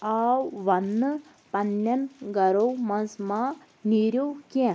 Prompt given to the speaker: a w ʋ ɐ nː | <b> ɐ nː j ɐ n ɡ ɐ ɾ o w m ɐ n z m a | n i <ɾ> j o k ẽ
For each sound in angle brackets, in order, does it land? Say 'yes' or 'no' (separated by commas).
no, yes